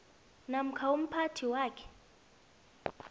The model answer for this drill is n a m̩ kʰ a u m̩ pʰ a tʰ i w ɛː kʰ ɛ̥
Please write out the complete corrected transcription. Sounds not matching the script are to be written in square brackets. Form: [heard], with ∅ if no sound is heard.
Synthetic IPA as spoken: n a m̩ kʰ a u m̩ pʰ a tʰ i w [aː] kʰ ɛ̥